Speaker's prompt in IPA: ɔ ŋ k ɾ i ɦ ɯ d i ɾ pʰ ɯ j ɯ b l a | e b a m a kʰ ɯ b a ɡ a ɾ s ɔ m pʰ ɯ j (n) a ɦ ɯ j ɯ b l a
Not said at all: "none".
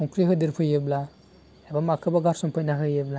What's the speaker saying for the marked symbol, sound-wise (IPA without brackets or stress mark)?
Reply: n